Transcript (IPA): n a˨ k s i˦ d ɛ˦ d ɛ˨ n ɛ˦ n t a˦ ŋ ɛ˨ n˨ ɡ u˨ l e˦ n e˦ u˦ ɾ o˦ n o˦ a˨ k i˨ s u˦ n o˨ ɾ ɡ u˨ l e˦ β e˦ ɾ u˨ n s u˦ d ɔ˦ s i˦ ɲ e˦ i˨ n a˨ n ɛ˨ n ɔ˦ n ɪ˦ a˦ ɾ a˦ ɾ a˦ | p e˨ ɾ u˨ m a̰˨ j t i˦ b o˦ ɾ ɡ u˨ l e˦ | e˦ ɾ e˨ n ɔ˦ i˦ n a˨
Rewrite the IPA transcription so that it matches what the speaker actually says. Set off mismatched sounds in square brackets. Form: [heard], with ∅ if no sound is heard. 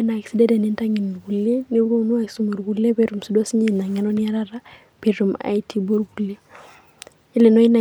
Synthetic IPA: n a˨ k s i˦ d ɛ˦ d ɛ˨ n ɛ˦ n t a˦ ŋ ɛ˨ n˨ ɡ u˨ l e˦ n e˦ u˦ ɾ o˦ n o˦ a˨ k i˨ s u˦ [m] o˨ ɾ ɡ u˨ l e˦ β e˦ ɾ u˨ [m] s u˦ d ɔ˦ s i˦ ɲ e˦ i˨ n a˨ [ŋ] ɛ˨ n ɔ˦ n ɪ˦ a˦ ɾ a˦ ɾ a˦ | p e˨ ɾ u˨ m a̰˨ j t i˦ b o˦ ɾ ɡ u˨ l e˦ | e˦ [l] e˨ n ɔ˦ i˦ n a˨

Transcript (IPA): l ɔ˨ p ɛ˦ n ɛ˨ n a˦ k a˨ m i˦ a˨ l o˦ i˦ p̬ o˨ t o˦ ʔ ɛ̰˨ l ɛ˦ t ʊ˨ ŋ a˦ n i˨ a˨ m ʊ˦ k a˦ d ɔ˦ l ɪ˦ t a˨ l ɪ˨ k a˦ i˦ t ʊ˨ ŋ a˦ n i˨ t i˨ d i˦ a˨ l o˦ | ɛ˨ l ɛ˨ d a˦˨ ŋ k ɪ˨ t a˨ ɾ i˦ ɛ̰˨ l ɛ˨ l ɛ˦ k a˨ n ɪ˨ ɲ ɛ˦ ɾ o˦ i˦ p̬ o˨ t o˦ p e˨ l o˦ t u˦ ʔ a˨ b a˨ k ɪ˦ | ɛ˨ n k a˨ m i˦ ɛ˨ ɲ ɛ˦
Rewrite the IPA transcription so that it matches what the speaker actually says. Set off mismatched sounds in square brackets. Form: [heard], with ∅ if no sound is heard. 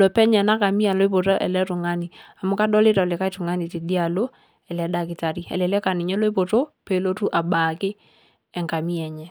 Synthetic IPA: l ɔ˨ p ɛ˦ [ɲ] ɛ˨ n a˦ k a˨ m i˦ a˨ l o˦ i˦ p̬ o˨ t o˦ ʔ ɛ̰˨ l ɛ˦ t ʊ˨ ŋ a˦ n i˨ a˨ m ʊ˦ k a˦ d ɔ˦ l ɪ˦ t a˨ l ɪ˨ k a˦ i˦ t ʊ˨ ŋ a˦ n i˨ t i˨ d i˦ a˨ l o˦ | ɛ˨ l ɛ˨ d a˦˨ [∅] k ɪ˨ t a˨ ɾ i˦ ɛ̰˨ l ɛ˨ l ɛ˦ k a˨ n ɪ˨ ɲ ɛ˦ [l] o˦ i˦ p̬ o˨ t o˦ p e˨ l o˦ t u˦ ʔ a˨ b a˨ k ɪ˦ | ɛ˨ [ŋ] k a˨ m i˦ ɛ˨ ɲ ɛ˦

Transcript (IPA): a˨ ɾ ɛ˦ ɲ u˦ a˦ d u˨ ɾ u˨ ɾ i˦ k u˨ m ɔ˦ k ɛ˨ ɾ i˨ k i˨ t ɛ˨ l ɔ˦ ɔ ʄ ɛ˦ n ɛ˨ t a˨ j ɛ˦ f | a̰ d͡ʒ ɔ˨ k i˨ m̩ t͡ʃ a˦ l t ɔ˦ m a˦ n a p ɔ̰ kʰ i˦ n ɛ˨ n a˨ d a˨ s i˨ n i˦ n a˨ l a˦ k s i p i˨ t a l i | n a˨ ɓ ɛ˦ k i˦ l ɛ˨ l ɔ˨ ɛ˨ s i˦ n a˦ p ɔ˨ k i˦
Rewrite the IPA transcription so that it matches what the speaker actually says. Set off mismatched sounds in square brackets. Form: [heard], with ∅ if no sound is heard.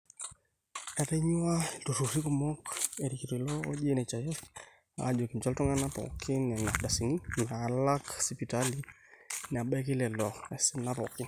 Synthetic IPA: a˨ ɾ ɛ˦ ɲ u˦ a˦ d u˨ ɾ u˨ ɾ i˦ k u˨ m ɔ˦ k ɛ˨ ɾ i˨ k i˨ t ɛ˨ l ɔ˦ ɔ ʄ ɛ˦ n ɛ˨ [t͡ʃ] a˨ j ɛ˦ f | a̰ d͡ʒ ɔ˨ k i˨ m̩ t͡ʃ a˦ l t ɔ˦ [ŋ] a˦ n a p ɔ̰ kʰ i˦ n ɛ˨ n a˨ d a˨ s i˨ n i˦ n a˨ l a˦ k s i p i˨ t a l i | n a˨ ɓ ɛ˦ k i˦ l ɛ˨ l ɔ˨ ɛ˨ s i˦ n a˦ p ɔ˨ k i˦

